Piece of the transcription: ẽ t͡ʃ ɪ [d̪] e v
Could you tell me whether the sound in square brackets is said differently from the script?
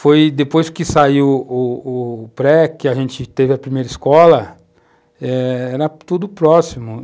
yes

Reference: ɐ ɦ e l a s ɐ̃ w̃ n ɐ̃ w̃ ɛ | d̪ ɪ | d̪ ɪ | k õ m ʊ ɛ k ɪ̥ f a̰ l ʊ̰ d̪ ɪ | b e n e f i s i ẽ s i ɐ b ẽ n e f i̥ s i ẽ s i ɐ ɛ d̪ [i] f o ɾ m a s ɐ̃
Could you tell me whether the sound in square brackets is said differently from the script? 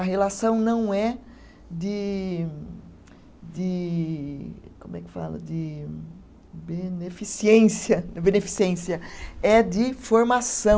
yes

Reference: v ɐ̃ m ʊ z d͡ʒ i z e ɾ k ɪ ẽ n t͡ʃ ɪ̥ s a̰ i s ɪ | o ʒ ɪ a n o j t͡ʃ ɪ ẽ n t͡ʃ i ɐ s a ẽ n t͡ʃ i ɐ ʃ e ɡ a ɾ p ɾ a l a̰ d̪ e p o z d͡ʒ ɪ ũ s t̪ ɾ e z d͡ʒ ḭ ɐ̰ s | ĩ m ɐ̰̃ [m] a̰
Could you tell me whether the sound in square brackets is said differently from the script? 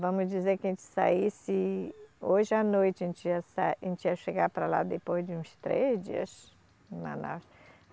yes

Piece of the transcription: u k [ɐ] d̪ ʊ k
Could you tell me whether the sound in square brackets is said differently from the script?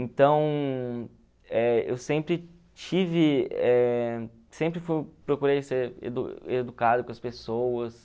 yes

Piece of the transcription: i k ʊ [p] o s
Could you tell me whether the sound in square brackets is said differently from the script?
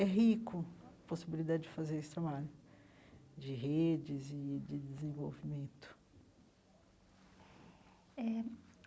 no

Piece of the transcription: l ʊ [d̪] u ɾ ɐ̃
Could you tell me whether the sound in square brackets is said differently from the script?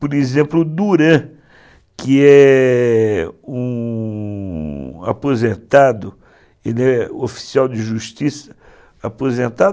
no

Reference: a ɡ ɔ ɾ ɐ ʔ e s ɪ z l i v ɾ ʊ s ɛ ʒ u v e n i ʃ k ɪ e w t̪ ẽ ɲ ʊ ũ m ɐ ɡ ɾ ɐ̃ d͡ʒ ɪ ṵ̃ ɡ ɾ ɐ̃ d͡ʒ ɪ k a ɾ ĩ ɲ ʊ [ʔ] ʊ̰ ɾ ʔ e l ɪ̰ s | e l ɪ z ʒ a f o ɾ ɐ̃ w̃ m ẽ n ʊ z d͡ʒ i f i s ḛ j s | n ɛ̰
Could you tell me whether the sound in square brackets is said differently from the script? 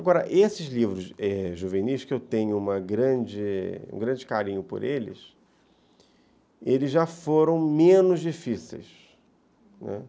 yes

